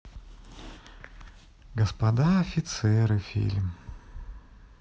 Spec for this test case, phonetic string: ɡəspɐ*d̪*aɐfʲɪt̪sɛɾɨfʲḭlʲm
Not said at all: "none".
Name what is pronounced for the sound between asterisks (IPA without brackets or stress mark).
d̪